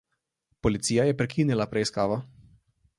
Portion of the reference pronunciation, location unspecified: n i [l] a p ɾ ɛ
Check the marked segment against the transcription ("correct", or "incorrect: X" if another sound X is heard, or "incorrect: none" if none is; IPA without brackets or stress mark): correct